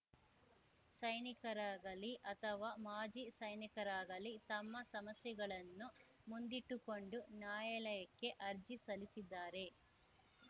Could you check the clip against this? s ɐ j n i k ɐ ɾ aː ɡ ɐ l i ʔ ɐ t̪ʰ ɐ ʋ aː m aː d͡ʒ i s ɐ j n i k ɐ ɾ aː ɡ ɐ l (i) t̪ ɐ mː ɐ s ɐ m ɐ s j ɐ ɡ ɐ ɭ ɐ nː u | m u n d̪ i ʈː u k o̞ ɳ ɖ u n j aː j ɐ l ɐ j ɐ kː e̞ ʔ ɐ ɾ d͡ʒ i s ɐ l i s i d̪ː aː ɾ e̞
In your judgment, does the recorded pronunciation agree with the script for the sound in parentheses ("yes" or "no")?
yes